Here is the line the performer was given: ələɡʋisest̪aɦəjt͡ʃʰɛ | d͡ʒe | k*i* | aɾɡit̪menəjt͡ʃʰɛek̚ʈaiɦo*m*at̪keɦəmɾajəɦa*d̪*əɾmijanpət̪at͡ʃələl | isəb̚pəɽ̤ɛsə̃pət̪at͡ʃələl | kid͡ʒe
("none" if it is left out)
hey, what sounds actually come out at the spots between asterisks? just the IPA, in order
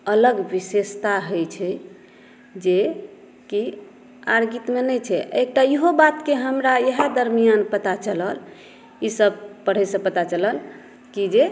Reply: i, b, d̪

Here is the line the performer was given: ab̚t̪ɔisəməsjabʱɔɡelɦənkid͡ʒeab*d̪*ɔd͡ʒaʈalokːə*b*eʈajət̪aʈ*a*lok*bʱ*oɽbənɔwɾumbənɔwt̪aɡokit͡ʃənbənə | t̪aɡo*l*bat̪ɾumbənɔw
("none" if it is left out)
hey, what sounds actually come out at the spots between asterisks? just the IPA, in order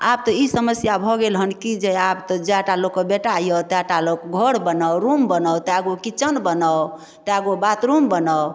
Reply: t̪, b, a, ɡʱ, none

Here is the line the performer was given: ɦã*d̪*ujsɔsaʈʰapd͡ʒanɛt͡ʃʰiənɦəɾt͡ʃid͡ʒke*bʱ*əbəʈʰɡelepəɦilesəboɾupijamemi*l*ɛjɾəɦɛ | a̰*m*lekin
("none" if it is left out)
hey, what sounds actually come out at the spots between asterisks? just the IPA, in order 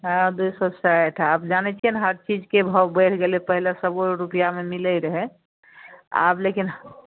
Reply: d̪, bʱ, l, b

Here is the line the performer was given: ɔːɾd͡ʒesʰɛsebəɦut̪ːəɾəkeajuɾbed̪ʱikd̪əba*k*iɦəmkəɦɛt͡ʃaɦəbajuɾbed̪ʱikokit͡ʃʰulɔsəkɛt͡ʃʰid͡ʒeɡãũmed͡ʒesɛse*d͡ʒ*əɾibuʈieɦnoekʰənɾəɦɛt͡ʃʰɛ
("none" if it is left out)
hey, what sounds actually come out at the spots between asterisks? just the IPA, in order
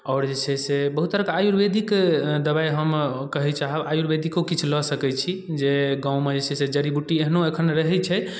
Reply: none, d͡ʒ

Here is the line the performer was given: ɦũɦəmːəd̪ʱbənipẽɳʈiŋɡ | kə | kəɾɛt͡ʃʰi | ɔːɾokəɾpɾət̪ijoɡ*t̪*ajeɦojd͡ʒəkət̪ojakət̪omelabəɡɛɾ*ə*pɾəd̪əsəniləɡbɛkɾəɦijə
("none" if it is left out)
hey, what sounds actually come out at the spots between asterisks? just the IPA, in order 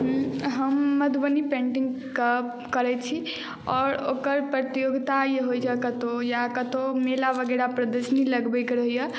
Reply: t̪, a

